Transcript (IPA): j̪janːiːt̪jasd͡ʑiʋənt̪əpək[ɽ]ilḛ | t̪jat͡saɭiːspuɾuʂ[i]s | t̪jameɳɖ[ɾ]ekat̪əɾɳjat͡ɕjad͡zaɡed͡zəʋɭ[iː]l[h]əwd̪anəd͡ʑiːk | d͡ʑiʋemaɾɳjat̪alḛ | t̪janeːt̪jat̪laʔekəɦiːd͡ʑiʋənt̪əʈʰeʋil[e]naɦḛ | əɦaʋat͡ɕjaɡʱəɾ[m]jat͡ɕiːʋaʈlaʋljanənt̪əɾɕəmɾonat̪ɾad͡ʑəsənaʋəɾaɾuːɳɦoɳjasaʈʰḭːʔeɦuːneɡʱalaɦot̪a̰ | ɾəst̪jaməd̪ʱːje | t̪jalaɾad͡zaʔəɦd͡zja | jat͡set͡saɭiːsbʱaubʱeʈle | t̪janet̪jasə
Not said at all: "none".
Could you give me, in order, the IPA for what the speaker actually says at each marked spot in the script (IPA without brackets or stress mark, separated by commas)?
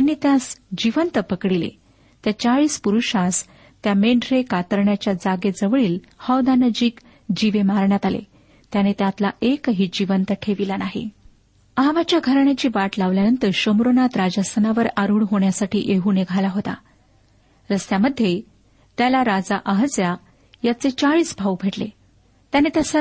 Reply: ɽ, a, ɾ, iː, h, a, ɳ